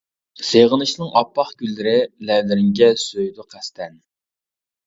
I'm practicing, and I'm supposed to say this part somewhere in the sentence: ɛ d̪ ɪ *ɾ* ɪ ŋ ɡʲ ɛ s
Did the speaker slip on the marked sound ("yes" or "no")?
no